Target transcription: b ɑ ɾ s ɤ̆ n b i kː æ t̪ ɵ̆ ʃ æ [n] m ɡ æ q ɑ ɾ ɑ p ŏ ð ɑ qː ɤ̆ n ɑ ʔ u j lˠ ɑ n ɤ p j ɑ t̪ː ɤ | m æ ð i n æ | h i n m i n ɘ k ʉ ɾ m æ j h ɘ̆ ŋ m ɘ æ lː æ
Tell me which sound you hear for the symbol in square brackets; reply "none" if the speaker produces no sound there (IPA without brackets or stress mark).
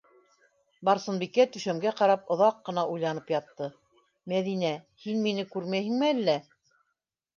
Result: none